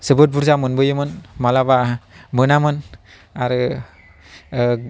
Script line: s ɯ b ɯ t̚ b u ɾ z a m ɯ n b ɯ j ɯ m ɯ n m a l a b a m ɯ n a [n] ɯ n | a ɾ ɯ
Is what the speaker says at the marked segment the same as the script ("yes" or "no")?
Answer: no